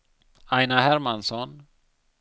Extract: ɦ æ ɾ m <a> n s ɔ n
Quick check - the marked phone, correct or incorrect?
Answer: correct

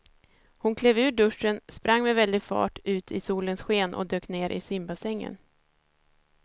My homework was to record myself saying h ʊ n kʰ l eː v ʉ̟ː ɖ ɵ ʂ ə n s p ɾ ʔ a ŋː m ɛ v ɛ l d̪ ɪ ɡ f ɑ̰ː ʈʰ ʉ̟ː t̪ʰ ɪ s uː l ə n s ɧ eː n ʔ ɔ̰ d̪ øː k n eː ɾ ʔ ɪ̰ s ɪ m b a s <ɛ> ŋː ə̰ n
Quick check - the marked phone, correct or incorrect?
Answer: correct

